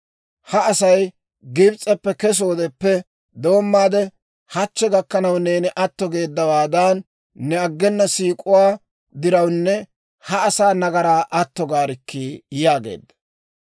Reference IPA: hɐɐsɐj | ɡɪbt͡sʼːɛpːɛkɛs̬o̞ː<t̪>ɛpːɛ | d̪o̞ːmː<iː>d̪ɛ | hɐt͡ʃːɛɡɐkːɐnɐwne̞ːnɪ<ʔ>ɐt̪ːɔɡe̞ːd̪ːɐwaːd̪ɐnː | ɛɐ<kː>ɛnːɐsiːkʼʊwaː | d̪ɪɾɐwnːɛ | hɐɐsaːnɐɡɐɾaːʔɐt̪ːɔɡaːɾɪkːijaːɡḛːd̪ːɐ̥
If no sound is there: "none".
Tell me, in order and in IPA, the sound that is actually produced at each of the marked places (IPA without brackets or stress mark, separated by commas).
d̪, aː, ʔ, ɡː